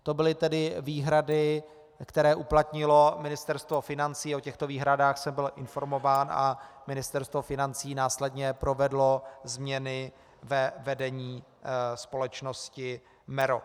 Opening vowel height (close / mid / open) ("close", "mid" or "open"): mid